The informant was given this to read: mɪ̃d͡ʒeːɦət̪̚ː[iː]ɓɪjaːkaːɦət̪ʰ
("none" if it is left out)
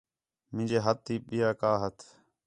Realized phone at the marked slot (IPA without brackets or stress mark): iː